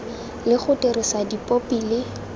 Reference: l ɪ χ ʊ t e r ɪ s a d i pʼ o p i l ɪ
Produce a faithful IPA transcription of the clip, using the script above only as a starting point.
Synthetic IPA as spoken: l ɪ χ ʊ t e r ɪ s a d i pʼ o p i l ɪ